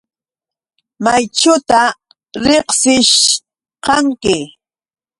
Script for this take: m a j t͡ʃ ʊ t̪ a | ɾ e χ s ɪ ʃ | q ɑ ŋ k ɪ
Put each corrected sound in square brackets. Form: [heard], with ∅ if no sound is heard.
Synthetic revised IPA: m a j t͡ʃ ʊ t̪ a | ɾ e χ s ɪ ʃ | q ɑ ŋ k ɪ

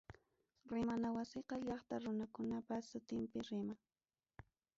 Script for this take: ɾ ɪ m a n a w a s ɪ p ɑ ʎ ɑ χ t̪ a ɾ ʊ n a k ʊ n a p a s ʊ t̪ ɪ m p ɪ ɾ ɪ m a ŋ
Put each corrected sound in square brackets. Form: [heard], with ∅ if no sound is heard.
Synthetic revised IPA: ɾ ɪ m a n a w a s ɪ [q] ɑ ʎ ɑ χ t̪ a ɾ ʊ n a k ʊ n a p a s ʊ t̪ ɪ m p ɪ ɾ ɪ m a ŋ

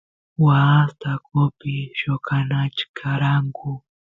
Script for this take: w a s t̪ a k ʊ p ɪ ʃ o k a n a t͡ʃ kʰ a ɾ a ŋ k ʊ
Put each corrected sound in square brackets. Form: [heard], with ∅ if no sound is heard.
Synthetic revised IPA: w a s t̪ a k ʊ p ɪ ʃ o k a n a t͡ʃ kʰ a ɾ a ŋ k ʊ

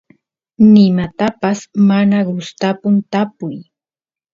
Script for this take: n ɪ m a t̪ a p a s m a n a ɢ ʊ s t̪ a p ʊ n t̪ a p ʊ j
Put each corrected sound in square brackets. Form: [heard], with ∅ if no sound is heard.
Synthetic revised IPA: n ɪ m a t̪ a p a s m a n a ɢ ʊ s t̪ a p ʊ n t̪ a p ʊ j

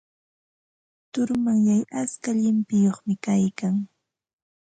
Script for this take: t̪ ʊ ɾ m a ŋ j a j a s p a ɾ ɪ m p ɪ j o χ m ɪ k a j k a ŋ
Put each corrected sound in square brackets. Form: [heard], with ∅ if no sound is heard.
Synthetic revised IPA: t̪ ʊ ɾ m a ŋ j a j a s [k] a [ʎ] ɪ m p ɪ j o χ m ɪ k a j k a ŋ

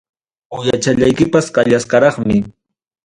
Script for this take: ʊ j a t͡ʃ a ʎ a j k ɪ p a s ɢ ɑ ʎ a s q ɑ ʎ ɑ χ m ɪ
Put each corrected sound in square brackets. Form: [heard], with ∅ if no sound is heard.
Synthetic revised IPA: ʊ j a t͡ʃ a ʎ a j k ɪ p a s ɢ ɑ ʎ a s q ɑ [ɾ] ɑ χ m ɪ

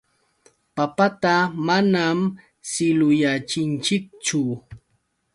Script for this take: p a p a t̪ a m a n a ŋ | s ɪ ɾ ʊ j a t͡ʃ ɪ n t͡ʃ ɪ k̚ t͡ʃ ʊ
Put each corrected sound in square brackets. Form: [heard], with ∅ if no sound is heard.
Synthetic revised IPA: p a p a t̪ a m a n a [m] | s ɪ [l] ʊ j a t͡ʃ ɪ n t͡ʃ ɪ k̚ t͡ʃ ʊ

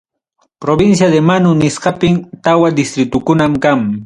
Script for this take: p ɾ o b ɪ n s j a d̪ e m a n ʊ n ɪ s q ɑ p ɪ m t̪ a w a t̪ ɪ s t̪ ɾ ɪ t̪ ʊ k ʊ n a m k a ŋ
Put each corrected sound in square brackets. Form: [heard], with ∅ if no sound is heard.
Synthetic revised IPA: p ɾ o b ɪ n s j a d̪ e m a n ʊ n ɪ s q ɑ p ɪ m t̪ a w a [d̪] ɪ s t̪ ɾ ɪ t̪ ʊ k ʊ n a m k a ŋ

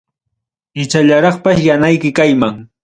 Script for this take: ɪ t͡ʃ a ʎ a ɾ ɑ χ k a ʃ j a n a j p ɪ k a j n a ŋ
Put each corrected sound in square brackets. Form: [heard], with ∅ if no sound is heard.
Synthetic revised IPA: ɪ t͡ʃ a ʎ a ɾ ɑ χ [p] a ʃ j a n a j [k] ɪ k a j [m] a ŋ

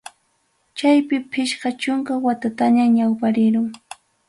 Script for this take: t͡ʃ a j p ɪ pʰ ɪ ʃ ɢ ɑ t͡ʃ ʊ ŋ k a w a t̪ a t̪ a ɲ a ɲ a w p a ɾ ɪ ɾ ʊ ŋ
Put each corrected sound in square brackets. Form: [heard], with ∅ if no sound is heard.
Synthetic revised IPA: t͡ʃ a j p ɪ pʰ ɪ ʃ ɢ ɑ t͡ʃ ʊ ŋ k a w a t̪ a t̪ a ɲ a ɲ a w p a ɾ ɪ ɾ ʊ ŋ

